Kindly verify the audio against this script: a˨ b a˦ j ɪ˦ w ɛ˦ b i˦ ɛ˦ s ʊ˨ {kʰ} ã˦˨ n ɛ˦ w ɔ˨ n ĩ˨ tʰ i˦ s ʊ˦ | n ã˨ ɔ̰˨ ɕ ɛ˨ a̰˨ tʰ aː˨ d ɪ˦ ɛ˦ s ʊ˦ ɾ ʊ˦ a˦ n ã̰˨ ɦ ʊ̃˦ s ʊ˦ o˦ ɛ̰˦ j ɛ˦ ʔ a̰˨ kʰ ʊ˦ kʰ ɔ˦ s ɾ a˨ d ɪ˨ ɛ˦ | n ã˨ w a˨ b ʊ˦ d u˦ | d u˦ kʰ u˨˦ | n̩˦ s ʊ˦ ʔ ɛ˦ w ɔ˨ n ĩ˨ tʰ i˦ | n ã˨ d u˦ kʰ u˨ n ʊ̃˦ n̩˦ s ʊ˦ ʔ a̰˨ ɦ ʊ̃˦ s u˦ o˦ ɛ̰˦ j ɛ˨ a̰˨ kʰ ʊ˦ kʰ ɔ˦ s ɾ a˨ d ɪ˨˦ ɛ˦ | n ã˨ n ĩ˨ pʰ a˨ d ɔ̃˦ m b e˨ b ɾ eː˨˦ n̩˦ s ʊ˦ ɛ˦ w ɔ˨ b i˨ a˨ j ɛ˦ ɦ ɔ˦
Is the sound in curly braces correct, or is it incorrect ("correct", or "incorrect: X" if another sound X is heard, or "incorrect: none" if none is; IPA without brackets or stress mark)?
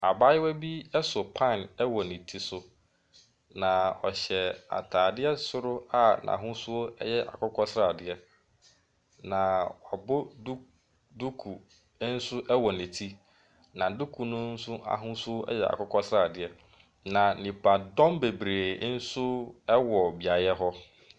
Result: incorrect: pʰ